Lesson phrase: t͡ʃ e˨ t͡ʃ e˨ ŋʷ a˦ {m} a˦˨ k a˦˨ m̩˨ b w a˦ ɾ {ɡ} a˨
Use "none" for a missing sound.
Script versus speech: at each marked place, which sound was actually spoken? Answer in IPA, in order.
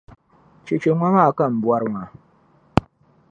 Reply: ŋ, ŋ

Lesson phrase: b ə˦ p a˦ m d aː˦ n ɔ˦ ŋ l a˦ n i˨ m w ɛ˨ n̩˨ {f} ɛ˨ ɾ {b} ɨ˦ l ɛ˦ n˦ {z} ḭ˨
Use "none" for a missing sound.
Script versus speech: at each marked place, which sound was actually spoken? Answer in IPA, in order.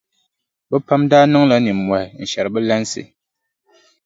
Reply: ʃ, b, s

